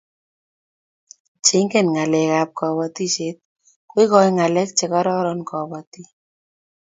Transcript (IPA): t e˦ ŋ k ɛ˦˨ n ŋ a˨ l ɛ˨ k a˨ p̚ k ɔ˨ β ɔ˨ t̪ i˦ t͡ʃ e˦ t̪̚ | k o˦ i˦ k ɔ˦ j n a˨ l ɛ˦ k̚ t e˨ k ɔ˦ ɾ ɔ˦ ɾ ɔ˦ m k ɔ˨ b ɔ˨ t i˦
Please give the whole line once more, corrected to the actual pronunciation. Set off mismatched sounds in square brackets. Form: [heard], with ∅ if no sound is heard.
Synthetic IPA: [t͡ʃ] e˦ ŋ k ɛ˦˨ n ŋ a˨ l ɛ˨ k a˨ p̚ k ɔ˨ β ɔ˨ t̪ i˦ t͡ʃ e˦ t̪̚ | k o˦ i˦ k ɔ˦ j [ŋ] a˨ l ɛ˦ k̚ [t͡ʃ] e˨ k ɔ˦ ɾ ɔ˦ ɾ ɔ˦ [n] k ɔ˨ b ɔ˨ t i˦